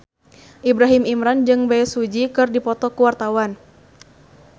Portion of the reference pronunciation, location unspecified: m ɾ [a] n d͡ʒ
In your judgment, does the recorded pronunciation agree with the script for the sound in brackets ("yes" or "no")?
yes